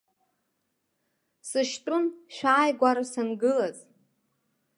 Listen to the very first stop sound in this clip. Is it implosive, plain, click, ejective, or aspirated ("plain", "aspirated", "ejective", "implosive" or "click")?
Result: ejective